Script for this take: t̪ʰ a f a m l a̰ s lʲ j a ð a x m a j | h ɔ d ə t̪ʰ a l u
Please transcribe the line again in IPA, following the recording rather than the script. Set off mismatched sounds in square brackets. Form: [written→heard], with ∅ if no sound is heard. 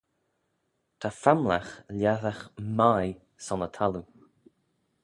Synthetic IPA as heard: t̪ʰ a f a m l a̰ [s→x] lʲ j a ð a x m a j | [h→s] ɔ [d→n] ə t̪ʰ a l u